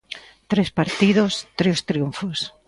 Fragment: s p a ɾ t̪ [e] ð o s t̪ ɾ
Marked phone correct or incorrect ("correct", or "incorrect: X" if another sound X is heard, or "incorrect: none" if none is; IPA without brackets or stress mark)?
incorrect: i